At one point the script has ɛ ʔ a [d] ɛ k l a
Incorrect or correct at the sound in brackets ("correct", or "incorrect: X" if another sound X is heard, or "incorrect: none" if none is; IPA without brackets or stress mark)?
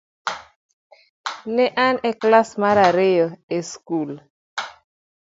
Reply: incorrect: n